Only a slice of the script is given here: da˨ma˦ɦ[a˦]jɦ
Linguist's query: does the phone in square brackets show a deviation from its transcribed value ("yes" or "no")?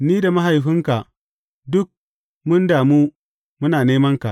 yes